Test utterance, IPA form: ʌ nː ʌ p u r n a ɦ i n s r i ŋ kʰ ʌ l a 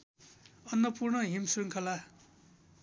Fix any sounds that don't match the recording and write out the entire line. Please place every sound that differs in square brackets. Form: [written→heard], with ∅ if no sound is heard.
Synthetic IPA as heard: ʌ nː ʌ p u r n [a→ʌ] ɦ i [n→m] s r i ŋ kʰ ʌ l a